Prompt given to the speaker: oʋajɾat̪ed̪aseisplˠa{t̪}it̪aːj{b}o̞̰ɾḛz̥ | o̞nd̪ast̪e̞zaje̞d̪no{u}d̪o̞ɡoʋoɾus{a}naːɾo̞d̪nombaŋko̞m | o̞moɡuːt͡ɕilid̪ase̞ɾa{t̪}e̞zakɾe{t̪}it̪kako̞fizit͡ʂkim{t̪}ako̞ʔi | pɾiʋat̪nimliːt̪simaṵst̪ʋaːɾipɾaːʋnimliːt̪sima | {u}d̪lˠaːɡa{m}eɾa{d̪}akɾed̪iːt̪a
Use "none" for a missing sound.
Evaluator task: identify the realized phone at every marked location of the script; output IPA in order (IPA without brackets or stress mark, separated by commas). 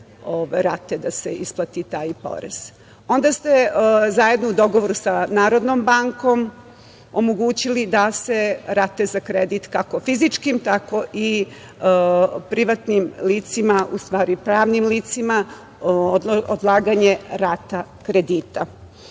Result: t̪, p, u, a, t̪, d̪, t̪, o, ɲ, t̪